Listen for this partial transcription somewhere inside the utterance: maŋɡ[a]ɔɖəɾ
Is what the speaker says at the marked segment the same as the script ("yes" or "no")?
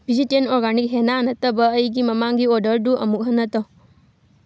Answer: no